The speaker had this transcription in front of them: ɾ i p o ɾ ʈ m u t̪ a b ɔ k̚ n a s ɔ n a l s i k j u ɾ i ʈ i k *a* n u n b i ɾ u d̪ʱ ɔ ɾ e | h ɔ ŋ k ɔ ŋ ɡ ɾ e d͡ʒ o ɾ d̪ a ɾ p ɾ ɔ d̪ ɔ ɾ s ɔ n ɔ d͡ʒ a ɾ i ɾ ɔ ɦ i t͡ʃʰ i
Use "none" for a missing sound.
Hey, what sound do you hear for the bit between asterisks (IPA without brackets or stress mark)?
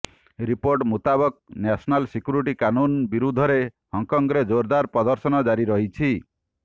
a